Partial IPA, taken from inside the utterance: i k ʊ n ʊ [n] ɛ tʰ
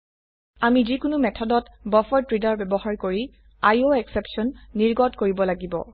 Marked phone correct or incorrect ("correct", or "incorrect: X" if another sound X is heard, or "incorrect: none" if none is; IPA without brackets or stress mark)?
incorrect: m